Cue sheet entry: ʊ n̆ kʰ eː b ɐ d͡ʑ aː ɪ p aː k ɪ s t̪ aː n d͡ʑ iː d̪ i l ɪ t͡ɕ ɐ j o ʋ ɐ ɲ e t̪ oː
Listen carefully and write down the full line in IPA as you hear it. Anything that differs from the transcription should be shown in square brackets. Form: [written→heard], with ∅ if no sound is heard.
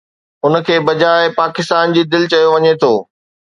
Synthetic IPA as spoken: ʊ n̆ kʰ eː b ɐ d͡ʑ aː ɪ p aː k ɪ s t̪ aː n d͡ʑ iː d̪ [i→ɪ] l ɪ t͡ɕ ɐ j o ʋ ɐ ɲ e [t̪→t̪ʰ] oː